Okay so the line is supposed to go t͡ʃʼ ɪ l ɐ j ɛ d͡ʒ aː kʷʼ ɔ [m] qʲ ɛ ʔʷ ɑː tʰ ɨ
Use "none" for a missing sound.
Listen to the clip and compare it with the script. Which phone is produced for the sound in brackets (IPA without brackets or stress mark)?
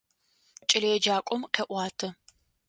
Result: m